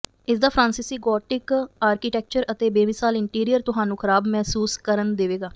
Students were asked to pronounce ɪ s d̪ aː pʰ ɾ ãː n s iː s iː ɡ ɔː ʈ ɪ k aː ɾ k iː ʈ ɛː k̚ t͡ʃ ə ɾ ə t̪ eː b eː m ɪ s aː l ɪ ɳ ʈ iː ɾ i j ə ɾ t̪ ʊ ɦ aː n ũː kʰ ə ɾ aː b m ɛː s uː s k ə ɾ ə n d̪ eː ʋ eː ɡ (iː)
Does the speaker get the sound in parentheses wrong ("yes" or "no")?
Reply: yes